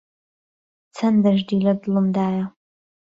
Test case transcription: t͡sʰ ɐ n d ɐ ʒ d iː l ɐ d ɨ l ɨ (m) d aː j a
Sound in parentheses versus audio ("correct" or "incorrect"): correct